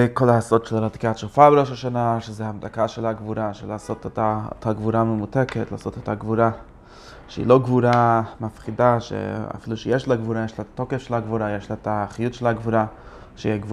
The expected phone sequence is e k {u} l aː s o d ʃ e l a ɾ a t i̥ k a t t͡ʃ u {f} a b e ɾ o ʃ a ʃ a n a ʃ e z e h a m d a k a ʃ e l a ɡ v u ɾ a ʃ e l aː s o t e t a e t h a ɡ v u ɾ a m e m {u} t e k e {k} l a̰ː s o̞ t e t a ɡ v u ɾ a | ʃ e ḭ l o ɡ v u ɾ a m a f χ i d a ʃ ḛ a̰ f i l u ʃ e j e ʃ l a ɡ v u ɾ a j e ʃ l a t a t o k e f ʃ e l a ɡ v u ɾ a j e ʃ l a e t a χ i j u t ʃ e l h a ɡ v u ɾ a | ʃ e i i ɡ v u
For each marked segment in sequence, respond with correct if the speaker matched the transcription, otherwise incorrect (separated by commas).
incorrect, correct, correct, incorrect